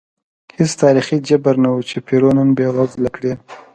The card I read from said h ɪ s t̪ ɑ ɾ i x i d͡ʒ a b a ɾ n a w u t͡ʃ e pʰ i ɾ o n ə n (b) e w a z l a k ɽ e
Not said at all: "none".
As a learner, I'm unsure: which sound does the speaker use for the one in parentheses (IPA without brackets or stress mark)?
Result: b